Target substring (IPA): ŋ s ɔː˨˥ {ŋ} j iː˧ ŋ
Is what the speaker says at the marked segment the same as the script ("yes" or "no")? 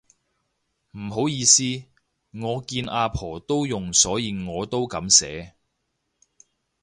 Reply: no